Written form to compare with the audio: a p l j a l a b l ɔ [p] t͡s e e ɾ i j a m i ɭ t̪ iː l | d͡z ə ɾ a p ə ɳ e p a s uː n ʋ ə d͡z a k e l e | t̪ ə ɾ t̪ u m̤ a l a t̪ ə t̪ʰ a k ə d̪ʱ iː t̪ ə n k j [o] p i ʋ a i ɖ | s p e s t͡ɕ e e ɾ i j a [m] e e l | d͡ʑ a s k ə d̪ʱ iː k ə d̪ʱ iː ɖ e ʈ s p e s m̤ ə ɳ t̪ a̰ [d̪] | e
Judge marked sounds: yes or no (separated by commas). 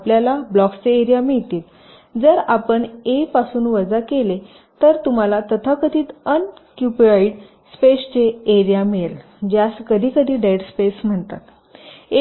no, no, yes, no